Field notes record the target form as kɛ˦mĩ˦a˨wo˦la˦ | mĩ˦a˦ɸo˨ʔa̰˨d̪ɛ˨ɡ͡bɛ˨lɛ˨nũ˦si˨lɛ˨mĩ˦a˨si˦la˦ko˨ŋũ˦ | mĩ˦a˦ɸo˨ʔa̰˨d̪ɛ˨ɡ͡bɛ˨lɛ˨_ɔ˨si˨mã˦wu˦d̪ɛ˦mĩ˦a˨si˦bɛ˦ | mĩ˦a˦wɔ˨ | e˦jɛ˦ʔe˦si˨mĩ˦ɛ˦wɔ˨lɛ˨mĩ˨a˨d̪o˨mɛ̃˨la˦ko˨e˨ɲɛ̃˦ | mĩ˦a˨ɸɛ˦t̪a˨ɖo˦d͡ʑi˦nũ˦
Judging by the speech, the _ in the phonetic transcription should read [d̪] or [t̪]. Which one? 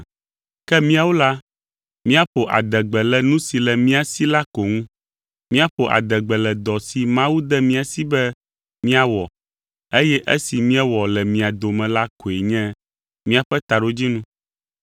d̪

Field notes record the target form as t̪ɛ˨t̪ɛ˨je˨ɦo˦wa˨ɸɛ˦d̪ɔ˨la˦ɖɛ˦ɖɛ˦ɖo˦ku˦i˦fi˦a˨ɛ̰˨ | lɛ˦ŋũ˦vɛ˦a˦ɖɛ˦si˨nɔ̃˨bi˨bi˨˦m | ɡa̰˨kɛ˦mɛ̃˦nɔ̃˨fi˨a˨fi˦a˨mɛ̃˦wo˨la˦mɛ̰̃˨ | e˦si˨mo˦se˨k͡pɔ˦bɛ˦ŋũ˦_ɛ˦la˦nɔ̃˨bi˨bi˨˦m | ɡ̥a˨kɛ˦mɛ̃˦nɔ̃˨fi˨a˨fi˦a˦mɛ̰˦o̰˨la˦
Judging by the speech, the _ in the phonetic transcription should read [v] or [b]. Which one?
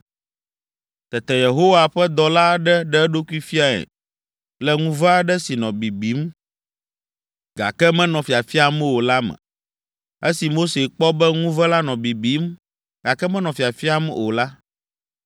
v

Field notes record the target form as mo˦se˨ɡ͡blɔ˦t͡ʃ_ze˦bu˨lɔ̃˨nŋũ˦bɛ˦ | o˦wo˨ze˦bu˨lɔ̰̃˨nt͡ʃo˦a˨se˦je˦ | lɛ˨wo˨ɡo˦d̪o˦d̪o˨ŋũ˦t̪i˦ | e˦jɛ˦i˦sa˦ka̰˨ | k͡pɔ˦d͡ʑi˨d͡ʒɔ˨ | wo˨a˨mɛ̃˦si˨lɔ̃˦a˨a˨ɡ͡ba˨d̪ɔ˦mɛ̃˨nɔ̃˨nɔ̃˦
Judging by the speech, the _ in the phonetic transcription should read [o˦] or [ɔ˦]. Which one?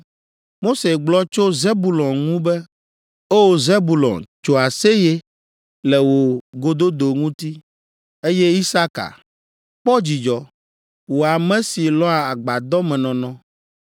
o˦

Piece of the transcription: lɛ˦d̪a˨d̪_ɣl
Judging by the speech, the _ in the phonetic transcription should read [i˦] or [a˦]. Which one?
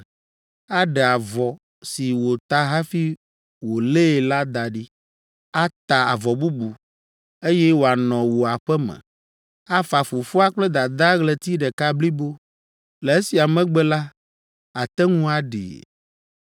a˦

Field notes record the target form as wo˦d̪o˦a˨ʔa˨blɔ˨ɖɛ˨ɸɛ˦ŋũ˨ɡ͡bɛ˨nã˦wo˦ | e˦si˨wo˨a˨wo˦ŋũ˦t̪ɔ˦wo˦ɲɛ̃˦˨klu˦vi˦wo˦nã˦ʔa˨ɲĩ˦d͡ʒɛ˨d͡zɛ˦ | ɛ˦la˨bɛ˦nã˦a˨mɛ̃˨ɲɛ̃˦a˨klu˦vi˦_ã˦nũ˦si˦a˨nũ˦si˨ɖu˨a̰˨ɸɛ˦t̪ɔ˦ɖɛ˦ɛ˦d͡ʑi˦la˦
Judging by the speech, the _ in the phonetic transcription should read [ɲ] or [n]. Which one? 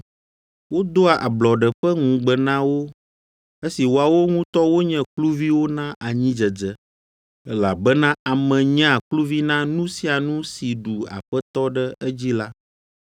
n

